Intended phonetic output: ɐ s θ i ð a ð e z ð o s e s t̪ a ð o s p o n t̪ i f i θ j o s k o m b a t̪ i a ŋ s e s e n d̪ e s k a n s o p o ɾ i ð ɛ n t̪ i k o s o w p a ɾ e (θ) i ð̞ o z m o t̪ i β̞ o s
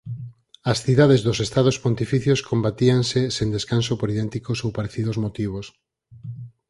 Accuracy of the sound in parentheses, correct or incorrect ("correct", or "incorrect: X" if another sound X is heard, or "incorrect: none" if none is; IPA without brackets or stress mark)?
correct